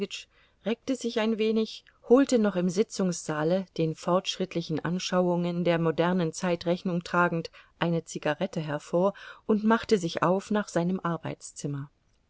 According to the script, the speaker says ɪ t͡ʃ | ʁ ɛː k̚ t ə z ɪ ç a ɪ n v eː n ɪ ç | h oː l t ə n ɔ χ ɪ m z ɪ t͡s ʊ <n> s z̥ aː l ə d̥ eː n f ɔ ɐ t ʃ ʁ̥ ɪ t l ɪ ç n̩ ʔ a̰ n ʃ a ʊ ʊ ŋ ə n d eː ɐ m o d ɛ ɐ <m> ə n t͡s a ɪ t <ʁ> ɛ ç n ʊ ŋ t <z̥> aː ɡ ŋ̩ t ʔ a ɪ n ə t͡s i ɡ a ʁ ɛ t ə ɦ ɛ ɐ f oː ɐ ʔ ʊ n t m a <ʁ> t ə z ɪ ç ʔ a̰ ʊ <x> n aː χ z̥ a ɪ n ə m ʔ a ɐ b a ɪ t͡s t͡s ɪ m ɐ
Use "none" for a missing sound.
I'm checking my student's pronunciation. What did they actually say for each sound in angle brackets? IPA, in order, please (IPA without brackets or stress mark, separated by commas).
ŋ, n, ʁ, ʁ̥, χ, f